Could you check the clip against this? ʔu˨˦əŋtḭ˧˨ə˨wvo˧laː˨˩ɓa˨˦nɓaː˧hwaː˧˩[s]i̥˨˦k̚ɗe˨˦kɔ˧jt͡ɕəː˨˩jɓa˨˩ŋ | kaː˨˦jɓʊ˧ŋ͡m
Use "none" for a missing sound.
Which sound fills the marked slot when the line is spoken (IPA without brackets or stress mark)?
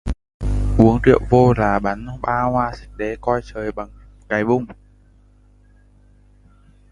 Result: s